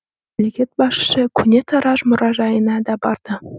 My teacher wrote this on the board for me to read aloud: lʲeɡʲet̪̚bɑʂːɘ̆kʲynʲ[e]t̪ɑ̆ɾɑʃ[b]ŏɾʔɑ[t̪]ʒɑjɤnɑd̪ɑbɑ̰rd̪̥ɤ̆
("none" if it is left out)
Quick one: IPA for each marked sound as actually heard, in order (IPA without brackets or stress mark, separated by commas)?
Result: e, m, none